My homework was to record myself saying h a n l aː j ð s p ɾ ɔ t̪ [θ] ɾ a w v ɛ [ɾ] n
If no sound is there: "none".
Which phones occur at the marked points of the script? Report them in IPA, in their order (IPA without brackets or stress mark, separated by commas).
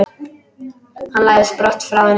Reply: f, none